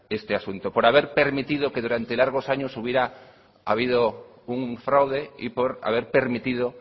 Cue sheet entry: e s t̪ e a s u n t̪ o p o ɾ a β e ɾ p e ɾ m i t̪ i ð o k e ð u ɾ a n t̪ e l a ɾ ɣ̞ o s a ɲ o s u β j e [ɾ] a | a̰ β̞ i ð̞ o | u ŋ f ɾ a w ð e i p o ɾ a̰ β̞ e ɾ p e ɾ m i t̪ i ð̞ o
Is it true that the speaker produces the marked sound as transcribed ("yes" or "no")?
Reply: yes